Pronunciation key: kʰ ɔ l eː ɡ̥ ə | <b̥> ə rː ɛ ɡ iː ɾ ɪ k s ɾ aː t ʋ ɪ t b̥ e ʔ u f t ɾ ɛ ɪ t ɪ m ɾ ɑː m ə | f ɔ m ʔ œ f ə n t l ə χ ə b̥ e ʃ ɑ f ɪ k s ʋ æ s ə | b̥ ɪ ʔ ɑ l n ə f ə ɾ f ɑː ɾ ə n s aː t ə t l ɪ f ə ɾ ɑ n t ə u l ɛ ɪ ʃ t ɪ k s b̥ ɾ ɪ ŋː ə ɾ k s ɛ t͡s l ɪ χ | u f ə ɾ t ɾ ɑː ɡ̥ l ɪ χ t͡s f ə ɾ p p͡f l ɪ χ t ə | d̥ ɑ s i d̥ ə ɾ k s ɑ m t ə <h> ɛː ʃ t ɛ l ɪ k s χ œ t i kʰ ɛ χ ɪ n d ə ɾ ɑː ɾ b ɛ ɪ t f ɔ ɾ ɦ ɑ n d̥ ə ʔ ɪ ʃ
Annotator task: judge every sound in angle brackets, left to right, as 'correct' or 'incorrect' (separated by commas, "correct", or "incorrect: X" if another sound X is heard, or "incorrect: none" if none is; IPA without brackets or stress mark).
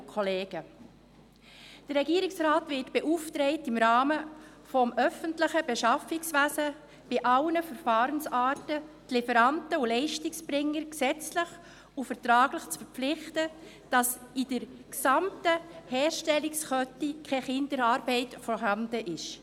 incorrect: d̥, correct